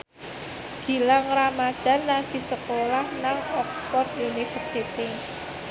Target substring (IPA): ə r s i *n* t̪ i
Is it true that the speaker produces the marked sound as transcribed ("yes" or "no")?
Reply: no